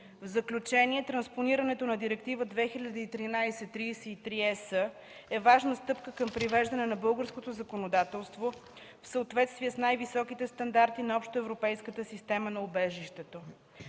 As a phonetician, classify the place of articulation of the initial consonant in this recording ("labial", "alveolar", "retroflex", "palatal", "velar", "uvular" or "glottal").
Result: labial